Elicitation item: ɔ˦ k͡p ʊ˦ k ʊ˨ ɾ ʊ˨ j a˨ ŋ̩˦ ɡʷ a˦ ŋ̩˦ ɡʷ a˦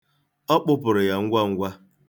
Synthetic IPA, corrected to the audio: ɔ˦ k͡p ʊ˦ p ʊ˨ ɾ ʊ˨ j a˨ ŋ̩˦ ɡʷ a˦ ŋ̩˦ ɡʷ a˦